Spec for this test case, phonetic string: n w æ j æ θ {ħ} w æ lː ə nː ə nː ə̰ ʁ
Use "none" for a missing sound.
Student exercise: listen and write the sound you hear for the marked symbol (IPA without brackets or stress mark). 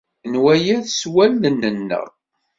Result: s